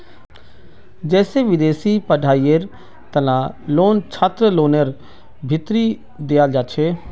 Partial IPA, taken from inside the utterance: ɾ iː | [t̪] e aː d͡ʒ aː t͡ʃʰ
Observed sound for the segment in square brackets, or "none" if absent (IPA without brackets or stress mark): d̪